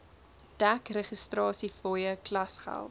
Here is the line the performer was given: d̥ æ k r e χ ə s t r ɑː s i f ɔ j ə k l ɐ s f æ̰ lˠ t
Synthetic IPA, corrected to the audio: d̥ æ k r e χ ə s t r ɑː s i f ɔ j ə k l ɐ s χ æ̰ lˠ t